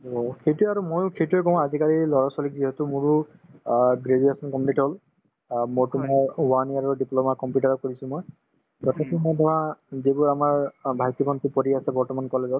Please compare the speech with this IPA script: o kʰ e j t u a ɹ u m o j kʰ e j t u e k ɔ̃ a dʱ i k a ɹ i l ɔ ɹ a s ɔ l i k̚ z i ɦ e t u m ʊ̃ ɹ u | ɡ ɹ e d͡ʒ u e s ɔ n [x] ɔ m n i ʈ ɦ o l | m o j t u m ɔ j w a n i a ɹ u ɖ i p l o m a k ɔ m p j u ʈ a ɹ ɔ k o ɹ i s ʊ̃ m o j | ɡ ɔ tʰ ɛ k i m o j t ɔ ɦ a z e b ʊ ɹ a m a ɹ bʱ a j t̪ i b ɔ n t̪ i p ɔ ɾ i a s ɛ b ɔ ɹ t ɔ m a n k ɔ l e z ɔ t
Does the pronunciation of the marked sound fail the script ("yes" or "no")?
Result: yes